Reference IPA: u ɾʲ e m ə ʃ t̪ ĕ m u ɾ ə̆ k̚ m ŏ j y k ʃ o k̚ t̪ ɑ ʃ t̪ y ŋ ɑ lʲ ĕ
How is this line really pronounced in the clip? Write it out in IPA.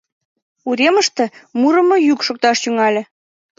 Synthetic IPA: u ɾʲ e m ə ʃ t̪ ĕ m u ɾ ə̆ m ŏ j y k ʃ o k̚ t̪ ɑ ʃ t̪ y ŋ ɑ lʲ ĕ